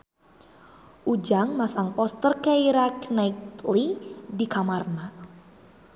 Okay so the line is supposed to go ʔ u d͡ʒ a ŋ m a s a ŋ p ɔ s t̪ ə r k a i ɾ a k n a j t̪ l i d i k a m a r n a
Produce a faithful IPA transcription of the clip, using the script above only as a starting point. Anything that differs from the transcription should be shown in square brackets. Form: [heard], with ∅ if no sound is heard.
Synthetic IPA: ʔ u d͡ʒ a ŋ m a s a ŋ p ɔ s t̪ ə r k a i ɾ a k n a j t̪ l i d i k a m a r n a